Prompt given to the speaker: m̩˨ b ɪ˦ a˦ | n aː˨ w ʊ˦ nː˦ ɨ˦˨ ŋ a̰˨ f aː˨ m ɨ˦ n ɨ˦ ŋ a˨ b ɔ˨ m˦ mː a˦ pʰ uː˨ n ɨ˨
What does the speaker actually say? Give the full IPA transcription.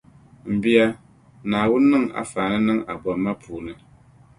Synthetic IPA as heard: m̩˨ b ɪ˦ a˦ | n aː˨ w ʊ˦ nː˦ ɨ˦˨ ŋ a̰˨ f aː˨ n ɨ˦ n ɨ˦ ŋ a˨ b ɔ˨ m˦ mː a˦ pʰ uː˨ n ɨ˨